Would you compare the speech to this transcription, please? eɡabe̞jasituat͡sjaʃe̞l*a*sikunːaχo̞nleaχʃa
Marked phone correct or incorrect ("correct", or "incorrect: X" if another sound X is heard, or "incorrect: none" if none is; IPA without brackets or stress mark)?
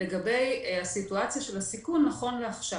correct